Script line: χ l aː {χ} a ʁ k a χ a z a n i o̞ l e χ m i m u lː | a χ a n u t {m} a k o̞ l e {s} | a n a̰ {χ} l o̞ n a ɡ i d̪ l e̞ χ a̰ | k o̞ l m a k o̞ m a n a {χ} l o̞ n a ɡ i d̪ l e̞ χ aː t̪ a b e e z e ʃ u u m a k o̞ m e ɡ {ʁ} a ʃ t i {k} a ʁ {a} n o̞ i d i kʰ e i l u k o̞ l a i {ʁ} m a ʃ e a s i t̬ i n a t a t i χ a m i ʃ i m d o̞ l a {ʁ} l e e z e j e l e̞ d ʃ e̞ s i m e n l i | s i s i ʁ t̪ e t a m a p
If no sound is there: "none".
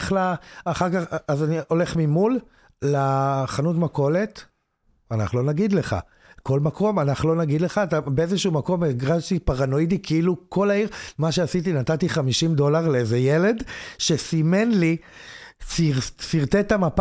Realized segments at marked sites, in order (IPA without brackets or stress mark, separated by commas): χ, m, t, χ, χ, ʁ, p, a, ʁ, ʁ